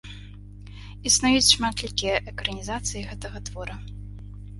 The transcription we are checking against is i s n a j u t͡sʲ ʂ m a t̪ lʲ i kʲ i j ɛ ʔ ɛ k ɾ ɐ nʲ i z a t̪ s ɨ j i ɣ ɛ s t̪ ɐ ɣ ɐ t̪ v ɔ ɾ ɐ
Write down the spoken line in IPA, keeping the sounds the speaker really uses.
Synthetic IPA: i s n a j u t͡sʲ ʂ m a t̪ lʲ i kʲ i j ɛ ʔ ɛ k ɾ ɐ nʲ i z a t̪ s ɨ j i ɣ ɛ t̪ ɐ ɣ ɐ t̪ v ɔ ɾ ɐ